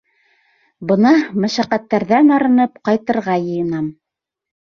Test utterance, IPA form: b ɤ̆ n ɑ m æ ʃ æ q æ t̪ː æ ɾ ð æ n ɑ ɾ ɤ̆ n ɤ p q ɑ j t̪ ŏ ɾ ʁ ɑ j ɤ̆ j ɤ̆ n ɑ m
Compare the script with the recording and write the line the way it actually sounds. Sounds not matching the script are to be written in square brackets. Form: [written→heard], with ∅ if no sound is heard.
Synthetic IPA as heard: b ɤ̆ n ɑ m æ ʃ æ q æ t̪ː æ ɾ ð æ n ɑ ɾ ɤ̆ n ɤ p q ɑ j t̪ [ŏ→ɤ̆] ɾ ʁ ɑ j ɤ̆ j ɤ̆ n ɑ m

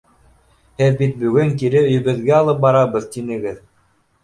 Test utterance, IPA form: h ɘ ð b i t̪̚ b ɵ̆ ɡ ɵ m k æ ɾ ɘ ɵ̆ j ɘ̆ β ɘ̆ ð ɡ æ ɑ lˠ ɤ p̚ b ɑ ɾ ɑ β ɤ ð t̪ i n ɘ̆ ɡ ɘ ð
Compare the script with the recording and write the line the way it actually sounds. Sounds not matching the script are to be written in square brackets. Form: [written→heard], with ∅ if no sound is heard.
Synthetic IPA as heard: h ɘ ð b i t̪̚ b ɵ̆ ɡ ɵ [m→ŋ] k [æ→i] ɾ ɘ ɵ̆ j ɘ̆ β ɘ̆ ð ɡ æ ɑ lˠ ɤ p̚ b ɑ ɾ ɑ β ɤ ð t̪ i n ɘ̆ ɡ ɘ ð

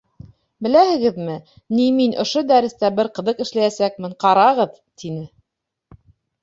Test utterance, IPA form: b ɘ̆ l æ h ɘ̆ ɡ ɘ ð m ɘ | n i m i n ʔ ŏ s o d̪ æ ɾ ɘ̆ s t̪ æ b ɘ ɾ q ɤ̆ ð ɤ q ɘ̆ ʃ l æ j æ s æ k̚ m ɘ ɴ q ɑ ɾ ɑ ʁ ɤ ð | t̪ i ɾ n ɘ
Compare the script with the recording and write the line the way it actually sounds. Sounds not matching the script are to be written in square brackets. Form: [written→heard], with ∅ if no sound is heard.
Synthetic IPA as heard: b ɘ̆ l æ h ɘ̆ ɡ ɘ ð m ɘ | n i m i n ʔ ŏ [s→ʃ] o d̪ æ ɾ ɘ̆ s t̪ æ b ɘ ɾ q ɤ̆ ð ɤ q ɘ̆ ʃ l æ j æ s æ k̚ m ɘ ɴ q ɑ ɾ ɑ ʁ ɤ ð | t̪ i [ɾ→∅] n ɘ

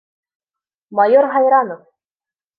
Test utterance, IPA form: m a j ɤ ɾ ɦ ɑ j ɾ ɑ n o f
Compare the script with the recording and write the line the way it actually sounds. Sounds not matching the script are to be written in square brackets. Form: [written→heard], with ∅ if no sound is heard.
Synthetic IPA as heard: m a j [ɤ→o] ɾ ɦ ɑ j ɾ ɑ n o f

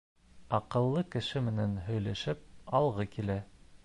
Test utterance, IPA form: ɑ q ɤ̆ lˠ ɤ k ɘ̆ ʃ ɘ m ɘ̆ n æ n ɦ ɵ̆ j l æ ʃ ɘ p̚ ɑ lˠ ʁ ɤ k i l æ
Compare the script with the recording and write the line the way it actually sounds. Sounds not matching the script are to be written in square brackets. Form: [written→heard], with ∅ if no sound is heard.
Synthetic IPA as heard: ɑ q ɤ̆ [lˠ→lˠː] ɤ k ɘ̆ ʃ ɘ m ɘ̆ n æ n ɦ ɵ̆ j l æ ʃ ɘ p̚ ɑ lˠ ʁ ɤ k i l æ

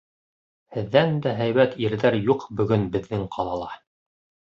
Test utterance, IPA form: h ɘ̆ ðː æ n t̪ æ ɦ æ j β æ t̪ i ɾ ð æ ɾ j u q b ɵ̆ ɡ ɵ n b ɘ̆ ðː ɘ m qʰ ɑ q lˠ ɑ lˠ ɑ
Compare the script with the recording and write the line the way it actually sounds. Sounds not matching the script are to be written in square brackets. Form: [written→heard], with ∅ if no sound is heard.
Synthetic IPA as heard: h ɘ̆ ðː æ n [t̪→d̪] æ ɦ æ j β æ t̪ i ɾ ð æ ɾ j u q b ɵ̆ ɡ ɵ n b ɘ̆ ðː ɘ [m→ŋ] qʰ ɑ [q→∅] lˠ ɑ lˠ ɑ

